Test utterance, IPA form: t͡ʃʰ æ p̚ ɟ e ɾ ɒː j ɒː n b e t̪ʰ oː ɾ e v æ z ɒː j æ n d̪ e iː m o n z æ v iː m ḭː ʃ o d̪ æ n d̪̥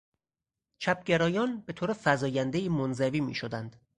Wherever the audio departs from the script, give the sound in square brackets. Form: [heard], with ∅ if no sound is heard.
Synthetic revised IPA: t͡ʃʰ æ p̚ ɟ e ɾ ɒː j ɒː n b e t̪ʰ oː ɾ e [f] æ z ɒː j æ n d̪ e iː m o n z æ v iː m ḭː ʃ o d̪ æ n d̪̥